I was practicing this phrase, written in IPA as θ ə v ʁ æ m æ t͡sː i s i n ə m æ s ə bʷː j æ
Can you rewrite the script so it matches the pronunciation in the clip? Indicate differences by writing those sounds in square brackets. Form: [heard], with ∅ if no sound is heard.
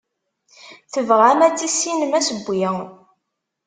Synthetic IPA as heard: θ ə v ʁ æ m æ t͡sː i s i n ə m æ s ə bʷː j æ